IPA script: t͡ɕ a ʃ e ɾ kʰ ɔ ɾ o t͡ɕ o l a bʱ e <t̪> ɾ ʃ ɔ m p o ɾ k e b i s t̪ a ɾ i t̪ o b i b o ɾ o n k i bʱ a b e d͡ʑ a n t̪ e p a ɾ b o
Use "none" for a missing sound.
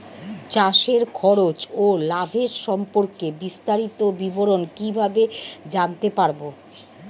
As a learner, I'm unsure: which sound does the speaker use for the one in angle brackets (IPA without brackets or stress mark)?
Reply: none